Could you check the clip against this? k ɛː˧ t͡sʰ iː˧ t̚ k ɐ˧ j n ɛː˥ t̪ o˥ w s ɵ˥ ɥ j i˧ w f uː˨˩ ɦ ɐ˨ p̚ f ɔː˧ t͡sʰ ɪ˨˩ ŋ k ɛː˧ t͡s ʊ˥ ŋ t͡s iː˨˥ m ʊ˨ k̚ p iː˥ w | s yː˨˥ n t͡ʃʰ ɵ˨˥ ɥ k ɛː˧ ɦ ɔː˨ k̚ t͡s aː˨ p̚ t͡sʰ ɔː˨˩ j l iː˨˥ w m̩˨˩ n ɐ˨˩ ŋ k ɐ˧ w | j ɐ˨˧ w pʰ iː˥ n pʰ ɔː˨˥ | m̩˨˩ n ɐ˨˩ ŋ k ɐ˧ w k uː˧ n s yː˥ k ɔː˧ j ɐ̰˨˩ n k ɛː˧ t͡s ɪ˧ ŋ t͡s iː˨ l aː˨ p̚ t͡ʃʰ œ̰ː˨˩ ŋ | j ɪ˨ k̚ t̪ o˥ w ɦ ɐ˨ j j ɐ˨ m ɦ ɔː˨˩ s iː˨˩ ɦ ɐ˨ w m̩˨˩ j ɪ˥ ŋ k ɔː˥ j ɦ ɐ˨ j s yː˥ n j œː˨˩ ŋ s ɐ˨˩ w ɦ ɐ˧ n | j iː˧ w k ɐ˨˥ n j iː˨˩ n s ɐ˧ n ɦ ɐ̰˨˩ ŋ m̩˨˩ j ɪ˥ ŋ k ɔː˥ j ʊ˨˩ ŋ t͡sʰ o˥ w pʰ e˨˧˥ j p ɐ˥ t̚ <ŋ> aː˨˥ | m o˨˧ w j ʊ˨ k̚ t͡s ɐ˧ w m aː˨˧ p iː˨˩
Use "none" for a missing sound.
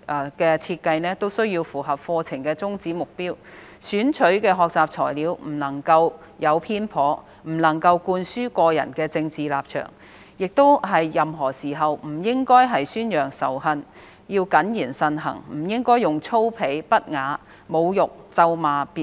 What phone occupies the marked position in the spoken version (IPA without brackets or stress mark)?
ŋ